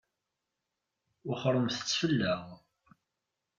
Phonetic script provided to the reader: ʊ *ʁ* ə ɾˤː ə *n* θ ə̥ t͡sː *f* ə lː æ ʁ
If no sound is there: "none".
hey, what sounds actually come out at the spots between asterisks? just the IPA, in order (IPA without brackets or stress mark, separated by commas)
χ, m, f